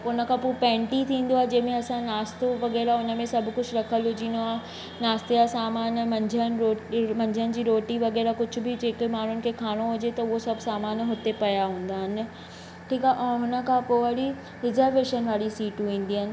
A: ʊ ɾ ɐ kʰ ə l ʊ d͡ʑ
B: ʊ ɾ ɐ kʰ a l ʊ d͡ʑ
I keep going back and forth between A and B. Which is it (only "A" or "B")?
A